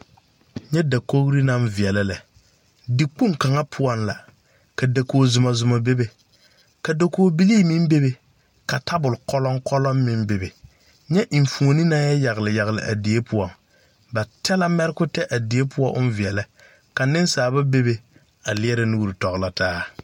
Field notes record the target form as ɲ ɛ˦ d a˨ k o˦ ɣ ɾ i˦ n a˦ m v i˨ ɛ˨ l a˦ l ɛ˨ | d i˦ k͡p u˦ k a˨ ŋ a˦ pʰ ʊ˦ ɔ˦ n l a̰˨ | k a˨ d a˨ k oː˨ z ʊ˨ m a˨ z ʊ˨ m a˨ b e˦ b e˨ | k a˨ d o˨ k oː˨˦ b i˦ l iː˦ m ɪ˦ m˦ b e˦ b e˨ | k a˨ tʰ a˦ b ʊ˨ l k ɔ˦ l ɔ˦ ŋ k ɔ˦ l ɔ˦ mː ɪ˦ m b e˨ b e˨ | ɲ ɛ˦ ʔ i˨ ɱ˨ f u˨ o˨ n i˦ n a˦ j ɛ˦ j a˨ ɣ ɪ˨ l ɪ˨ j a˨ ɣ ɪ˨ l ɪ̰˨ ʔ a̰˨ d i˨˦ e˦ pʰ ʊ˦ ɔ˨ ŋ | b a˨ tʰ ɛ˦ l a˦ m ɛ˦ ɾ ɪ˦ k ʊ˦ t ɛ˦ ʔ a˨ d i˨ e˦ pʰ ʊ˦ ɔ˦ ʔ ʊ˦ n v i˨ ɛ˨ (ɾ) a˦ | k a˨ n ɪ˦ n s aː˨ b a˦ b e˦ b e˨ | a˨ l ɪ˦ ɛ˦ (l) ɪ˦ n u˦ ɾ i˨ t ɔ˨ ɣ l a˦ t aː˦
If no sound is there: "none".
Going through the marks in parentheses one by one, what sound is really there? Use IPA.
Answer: l, ɾ

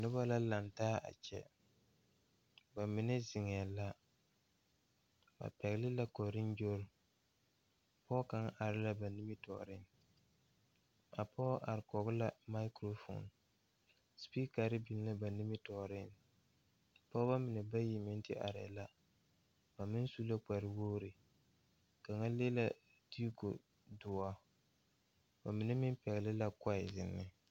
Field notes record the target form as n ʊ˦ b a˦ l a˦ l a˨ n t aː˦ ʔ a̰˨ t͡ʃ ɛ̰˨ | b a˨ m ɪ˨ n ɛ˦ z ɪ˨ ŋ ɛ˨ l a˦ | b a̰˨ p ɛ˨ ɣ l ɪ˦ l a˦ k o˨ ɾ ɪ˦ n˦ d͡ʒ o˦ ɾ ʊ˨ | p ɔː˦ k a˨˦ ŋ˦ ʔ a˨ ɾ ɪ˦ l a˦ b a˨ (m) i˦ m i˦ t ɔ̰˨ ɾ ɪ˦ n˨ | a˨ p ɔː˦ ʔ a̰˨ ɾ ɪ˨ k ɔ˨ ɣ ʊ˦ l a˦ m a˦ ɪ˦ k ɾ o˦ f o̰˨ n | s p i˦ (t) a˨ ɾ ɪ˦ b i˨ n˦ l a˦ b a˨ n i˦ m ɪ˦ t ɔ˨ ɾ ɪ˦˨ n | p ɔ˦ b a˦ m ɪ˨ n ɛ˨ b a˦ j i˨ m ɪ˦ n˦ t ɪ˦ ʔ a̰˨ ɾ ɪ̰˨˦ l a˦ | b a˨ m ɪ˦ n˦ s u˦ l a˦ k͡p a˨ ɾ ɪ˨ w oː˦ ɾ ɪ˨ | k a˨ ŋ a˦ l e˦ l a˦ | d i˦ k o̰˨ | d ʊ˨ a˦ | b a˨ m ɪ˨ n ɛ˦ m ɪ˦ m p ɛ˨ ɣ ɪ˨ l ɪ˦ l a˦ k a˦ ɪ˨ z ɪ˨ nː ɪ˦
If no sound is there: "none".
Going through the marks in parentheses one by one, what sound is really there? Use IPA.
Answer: n, k

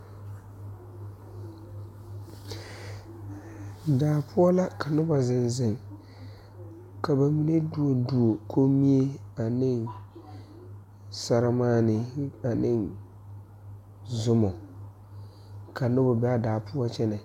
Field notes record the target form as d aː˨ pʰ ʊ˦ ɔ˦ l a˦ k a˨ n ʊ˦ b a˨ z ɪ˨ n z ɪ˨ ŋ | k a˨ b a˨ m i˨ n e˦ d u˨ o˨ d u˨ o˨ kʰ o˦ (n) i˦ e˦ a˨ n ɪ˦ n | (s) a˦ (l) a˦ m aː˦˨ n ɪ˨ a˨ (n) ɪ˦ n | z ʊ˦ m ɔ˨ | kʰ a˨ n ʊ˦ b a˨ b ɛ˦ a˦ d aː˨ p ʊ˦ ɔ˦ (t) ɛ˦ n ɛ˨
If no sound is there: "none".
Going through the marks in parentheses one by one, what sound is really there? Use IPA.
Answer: m, s, ɾ, n, t͡ʃ

